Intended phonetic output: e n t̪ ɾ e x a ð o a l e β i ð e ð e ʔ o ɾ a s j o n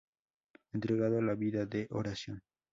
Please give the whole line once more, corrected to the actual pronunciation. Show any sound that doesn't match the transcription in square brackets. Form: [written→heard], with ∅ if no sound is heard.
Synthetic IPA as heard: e n t̪ ɾ e [x→ɣ] a ð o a l [e→a] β i ð [e→a] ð e ʔ o ɾ a s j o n